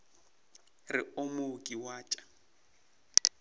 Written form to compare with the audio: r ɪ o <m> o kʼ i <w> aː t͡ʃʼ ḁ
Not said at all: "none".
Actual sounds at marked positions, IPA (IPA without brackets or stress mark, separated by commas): m, w